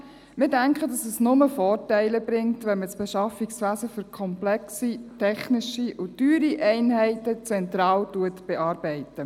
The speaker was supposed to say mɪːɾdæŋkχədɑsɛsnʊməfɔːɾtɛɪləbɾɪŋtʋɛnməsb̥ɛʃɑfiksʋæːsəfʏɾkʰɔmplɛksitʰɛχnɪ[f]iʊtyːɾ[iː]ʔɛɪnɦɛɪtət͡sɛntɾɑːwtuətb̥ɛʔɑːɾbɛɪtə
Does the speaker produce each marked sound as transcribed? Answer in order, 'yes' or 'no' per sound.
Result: no, no

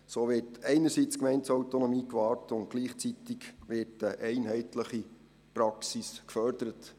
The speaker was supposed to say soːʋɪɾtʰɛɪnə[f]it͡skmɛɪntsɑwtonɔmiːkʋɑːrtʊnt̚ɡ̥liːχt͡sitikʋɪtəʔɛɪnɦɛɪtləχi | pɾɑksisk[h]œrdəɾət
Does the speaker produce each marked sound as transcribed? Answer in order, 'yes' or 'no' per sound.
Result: no, no

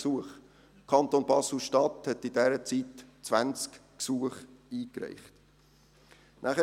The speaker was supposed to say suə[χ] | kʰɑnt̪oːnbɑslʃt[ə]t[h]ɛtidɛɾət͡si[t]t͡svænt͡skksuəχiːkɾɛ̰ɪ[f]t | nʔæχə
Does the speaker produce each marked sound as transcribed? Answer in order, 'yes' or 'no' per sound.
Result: yes, no, yes, yes, no

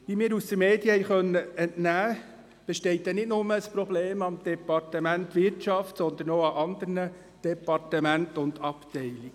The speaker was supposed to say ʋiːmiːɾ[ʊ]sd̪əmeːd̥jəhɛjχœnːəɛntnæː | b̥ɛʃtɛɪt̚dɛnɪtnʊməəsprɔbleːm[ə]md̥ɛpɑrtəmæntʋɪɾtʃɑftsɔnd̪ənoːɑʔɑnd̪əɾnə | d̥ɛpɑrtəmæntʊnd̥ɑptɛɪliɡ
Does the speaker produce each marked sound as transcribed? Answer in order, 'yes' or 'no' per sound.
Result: no, no

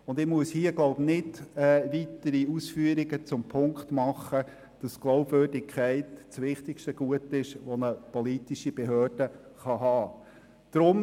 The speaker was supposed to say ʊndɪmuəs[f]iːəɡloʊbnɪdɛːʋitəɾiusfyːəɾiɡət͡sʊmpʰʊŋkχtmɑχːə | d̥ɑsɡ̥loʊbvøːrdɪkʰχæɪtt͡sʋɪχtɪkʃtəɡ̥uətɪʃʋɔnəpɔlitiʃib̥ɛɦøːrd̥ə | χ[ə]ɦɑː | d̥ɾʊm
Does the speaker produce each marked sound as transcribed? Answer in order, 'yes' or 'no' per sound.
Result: no, no

